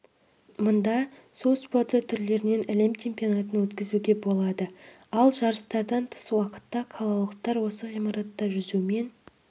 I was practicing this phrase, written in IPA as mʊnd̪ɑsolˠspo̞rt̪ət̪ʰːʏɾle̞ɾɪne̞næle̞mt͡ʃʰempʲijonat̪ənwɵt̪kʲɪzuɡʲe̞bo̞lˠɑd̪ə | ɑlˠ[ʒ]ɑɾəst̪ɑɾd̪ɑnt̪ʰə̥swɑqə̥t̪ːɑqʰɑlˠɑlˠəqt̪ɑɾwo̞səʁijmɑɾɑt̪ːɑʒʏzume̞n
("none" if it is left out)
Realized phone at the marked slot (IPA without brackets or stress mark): ʒ